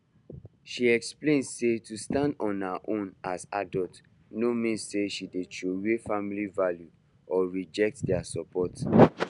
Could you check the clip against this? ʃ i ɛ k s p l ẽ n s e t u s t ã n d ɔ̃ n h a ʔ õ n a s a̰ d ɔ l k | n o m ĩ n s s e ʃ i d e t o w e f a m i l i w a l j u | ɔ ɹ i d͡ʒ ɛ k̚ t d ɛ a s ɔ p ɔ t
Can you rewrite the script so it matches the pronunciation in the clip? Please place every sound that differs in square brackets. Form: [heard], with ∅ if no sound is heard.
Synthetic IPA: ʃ i ɛ k s p l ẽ n s e t u s t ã n d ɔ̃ n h a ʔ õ n a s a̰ d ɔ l [t] | n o m ĩ n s s e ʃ i d e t o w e f a m i l i [v] a l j u | ɔ ɹ i d͡ʒ ɛ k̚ t d ɛ a s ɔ p ɔ t

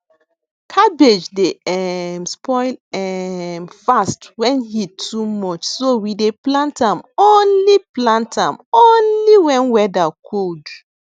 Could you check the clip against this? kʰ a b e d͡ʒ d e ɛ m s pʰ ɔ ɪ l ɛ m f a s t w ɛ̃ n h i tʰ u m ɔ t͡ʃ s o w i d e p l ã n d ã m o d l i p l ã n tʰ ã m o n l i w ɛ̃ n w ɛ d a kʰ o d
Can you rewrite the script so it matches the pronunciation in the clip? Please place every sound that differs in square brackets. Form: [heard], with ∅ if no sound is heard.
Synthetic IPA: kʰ a b e d͡ʒ d e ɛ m s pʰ ɔ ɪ l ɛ m f a s t w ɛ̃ n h i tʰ u m ɔ t͡ʃ s o w i d e p l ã n [t] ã m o [n] l i p l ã n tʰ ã m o n l i w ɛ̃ n w ɛ d a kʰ o d

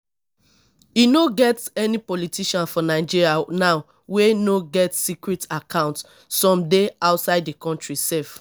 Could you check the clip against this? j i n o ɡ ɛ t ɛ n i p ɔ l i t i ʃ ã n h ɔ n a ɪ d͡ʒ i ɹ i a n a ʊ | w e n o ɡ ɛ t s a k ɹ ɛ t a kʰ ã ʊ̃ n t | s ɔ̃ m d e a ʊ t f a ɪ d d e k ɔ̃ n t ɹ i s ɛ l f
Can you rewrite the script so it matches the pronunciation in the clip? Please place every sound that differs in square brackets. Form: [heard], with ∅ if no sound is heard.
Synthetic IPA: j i n o ɡ ɛ t ɛ n i p ɔ l i t i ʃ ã n [f] ɔ n a ɪ d͡ʒ i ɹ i a n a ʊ | w e n o ɡ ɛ t s [i] k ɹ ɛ t a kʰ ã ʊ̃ n t | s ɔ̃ m d e a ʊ t [s] a ɪ d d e k ɔ̃ n t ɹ i s ɛ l f

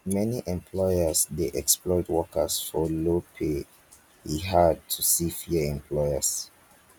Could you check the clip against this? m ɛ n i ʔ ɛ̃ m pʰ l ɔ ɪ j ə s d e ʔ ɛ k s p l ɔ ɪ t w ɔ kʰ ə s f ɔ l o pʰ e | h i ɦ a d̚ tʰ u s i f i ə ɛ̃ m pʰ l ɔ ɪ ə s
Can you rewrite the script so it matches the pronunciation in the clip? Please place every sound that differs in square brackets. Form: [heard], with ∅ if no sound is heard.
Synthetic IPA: m ɛ n i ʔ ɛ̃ m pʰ l ɔ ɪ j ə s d e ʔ ɛ k s p l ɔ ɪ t w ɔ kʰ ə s f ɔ l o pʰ e | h i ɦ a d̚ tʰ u s i f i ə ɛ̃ m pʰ l ɔ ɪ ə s

